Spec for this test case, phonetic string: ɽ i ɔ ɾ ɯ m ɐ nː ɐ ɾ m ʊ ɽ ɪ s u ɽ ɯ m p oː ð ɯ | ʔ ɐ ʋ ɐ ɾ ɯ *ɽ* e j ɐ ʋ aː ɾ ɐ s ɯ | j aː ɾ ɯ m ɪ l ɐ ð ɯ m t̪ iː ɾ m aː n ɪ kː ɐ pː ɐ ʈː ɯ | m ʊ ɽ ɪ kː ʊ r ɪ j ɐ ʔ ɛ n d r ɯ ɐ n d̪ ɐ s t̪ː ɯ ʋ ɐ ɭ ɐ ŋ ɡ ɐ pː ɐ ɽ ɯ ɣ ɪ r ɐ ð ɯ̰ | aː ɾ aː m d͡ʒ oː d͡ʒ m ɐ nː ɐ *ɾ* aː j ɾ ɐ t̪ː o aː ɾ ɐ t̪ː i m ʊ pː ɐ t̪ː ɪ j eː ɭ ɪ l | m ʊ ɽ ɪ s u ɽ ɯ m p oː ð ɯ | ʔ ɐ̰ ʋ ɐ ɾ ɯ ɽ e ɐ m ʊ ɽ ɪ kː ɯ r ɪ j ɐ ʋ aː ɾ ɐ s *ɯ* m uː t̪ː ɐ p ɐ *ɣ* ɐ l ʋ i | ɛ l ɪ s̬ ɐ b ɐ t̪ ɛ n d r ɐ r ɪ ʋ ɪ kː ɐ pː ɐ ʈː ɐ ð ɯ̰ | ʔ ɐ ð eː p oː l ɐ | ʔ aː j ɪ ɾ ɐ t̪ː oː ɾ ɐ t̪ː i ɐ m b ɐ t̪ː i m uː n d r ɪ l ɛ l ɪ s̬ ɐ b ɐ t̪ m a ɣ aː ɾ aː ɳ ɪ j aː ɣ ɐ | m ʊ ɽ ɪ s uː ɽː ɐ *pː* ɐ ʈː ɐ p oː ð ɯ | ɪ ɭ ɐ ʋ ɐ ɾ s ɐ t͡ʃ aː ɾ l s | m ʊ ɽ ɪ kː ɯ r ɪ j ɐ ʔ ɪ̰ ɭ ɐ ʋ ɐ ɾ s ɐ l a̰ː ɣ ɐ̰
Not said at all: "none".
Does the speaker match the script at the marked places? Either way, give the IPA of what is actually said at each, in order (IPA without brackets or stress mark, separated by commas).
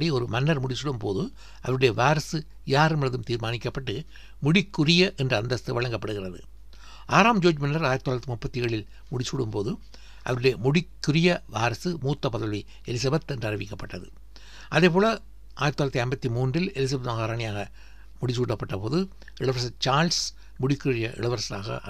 ɽ, ɾ, ɯ, ð, pː